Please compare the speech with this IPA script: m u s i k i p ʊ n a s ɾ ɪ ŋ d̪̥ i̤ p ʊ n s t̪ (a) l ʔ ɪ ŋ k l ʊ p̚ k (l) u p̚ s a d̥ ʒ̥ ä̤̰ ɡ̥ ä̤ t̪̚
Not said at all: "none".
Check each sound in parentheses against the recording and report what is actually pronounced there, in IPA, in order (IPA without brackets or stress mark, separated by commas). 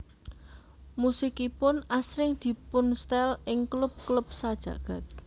ɛ, l